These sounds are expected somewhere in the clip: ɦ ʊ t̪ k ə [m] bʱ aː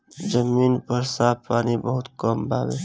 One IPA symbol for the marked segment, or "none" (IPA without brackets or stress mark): m